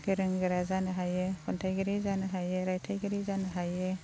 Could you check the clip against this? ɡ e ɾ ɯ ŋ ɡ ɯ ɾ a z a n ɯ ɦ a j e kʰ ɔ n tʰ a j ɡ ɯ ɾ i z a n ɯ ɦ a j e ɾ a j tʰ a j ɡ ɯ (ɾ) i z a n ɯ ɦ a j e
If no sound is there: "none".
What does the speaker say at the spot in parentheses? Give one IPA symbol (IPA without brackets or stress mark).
ɾ